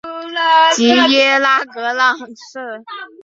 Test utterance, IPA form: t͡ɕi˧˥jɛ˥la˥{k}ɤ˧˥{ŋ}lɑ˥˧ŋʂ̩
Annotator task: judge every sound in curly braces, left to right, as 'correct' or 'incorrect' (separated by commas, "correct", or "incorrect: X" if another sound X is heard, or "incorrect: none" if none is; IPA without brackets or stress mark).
correct, incorrect: none